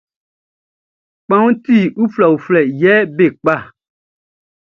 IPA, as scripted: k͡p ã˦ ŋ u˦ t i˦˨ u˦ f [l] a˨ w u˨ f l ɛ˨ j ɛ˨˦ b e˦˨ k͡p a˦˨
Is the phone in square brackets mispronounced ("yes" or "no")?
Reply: no